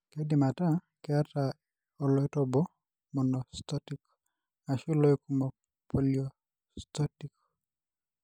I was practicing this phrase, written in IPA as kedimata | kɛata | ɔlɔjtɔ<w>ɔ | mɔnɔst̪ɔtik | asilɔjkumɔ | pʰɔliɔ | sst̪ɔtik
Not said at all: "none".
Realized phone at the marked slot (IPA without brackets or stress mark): b